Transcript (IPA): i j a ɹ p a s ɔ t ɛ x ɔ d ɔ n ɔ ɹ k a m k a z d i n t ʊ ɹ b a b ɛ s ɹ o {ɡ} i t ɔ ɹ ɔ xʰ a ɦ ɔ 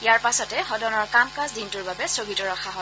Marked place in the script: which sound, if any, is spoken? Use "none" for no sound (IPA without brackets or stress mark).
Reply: ɡ